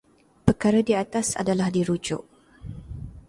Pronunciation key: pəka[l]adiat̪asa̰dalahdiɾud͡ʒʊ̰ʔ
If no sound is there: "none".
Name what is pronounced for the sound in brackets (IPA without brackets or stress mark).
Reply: ɾ